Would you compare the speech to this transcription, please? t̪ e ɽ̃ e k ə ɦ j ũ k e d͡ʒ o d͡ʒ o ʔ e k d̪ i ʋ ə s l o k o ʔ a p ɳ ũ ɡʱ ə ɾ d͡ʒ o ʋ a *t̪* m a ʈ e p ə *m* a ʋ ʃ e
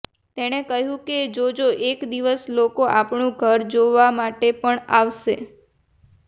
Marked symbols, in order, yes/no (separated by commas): no, no